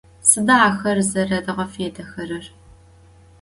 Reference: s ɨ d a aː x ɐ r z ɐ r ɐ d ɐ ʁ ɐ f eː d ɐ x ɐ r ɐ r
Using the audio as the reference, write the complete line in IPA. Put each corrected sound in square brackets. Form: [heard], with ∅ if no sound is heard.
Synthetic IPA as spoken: s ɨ d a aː x ɐ r z ɐ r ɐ d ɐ ʁ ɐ f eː d ɐ x ɐ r ɐ r